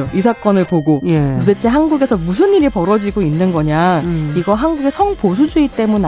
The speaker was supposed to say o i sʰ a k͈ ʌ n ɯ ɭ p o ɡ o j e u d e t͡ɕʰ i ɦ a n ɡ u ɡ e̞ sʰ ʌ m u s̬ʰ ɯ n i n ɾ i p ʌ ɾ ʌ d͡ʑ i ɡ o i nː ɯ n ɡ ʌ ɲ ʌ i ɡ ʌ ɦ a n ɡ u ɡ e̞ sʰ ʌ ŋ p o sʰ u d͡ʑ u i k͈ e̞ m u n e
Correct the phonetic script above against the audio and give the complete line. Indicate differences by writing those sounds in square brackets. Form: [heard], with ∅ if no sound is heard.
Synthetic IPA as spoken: o i sʰ a k͈ ʌ n ɯ ɭ p o ɡ o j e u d e t͡ɕʰ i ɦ a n ɡ u ɡ e̞ sʰ ʌ m u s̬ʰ ɯ n i [∅] ɾ i p ʌ ɾ ʌ d͡ʑ i ɡ o i nː ɯ n ɡ ʌ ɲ [a] i ɡ ʌ ɦ a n ɡ u ɡ e̞ sʰ ʌ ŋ p o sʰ u d͡ʑ u i [t͈] e̞ m u n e